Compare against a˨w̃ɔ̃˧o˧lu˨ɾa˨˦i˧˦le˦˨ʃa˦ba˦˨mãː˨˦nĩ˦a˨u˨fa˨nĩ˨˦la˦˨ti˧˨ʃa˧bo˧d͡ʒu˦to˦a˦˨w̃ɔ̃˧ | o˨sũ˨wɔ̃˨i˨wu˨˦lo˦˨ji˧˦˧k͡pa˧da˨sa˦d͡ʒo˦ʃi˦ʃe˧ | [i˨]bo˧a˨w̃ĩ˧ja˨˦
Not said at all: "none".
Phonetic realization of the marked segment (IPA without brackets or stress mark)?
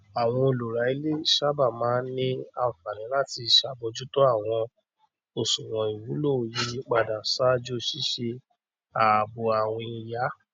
a˨